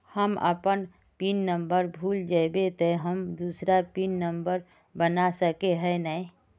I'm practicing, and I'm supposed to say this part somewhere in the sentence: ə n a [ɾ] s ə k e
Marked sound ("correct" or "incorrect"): incorrect